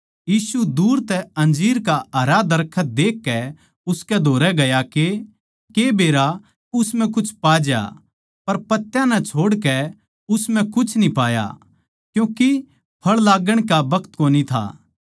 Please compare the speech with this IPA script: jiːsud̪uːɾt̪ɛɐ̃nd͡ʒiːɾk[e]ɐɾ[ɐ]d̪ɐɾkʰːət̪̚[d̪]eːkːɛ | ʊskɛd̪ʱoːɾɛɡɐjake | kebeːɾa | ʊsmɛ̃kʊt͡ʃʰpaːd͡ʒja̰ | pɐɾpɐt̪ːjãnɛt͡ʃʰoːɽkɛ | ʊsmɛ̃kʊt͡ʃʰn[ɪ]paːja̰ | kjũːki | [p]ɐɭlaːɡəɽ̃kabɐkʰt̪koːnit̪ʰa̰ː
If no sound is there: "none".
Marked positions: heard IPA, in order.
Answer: a, a, d̪, i, pʰ

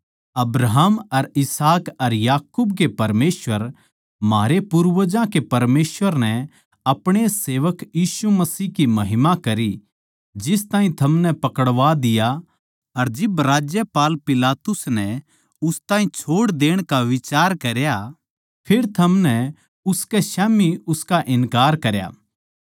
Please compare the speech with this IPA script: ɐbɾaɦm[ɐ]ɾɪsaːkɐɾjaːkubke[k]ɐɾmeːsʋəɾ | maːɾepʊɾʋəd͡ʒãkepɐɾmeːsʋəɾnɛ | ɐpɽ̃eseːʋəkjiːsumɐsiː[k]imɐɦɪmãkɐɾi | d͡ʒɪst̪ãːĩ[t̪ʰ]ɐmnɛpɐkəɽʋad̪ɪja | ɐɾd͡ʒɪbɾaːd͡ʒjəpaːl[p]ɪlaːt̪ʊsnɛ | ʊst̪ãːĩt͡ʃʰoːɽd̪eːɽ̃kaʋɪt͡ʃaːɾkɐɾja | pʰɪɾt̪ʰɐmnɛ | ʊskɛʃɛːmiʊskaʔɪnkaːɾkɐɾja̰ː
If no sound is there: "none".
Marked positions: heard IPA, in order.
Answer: ɐ, p, k, t̪ʰ, p

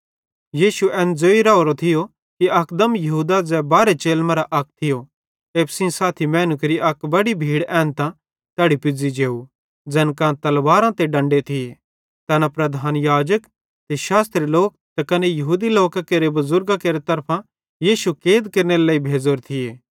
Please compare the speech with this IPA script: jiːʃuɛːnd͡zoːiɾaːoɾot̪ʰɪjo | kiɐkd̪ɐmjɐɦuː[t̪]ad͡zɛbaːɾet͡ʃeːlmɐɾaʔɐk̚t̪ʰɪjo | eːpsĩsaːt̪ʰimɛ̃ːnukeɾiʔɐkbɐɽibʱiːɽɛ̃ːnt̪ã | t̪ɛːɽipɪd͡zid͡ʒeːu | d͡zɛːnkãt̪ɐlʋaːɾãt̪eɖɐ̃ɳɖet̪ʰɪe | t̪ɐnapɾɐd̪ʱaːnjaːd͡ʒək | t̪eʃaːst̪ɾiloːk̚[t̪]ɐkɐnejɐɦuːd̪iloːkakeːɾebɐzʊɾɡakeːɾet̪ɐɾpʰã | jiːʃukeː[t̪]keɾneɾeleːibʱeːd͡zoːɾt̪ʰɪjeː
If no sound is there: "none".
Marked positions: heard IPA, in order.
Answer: d̪, t̪, d̪

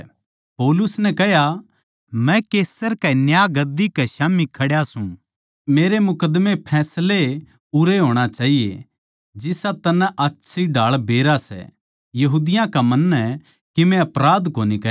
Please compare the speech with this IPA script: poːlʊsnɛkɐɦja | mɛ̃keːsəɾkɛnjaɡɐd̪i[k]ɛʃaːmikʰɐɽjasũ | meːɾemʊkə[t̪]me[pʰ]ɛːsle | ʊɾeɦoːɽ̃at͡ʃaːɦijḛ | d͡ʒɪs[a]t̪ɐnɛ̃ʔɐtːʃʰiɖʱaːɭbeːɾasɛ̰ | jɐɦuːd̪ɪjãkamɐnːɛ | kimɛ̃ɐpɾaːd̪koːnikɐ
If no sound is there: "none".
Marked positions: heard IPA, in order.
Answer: k, d̪, pʰ, a

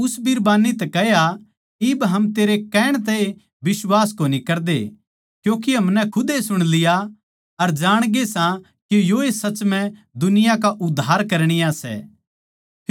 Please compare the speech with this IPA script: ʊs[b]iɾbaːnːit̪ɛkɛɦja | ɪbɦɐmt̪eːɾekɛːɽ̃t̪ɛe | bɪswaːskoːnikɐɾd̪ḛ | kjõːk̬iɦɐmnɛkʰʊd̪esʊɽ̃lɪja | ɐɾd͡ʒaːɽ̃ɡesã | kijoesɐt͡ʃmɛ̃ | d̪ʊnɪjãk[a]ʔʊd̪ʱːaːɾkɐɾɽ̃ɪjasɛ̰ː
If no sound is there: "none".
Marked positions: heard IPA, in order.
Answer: b, a

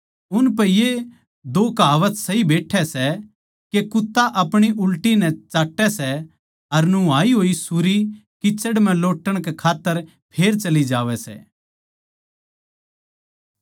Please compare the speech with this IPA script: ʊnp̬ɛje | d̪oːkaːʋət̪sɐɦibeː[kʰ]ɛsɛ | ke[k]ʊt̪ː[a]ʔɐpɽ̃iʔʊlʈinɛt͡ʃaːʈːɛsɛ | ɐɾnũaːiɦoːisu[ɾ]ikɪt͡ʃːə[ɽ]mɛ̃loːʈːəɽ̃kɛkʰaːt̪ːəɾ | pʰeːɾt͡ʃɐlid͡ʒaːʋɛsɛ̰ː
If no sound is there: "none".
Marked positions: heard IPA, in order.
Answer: ʈʰ, k, a, ɾ, ɽ

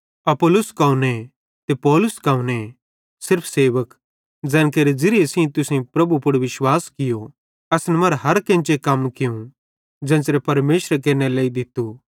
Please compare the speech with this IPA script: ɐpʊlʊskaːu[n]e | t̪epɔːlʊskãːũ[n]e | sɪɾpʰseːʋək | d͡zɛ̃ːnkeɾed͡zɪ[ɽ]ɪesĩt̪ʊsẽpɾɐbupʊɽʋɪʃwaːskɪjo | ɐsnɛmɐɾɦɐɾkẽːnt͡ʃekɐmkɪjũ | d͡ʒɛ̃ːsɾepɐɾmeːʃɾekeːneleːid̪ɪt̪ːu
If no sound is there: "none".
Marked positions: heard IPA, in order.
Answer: n, n, ɾ

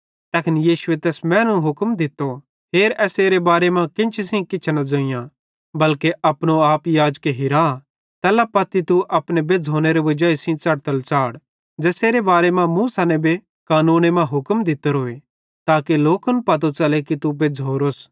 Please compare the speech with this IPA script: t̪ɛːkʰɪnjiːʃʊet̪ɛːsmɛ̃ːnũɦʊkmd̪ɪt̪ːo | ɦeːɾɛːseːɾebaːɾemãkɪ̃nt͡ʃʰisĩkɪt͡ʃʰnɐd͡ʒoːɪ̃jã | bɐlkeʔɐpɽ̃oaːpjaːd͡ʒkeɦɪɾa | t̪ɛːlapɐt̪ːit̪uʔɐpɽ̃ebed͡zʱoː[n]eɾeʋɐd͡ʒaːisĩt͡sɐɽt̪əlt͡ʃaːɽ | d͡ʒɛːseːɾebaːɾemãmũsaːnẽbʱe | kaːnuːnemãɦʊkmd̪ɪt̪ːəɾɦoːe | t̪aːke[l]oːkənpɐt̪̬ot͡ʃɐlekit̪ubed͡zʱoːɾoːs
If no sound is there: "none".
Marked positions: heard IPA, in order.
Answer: n, l

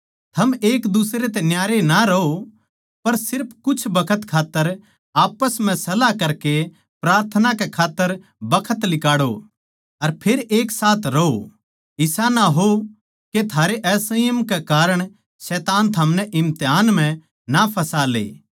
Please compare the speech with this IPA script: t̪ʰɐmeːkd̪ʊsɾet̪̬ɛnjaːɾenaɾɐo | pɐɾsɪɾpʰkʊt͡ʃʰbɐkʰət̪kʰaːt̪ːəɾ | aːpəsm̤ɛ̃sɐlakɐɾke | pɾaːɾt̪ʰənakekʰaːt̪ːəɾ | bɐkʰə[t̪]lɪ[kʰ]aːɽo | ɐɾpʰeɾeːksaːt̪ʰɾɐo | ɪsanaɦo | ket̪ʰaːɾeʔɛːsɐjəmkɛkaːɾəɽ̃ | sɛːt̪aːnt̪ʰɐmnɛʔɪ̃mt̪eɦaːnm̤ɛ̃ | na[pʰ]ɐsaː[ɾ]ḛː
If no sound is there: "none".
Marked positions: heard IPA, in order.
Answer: t̪, k, pʰ, l

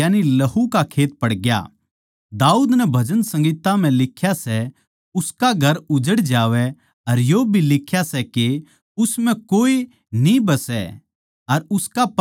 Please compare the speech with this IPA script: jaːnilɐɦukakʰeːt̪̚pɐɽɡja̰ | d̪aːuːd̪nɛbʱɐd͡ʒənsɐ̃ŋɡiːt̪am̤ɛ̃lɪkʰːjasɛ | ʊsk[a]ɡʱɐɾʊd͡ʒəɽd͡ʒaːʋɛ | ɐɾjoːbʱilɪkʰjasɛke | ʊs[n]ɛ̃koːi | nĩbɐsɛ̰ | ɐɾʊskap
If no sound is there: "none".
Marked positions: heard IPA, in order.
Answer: a, m

